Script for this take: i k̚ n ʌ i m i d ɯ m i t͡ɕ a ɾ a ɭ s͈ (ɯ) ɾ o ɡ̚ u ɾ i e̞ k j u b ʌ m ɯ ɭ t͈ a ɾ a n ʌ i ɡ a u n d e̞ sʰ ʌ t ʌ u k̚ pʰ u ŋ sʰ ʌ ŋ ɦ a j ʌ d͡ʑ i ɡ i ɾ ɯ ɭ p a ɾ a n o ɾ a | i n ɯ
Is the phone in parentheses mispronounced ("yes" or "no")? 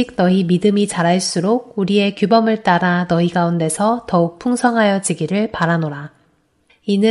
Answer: yes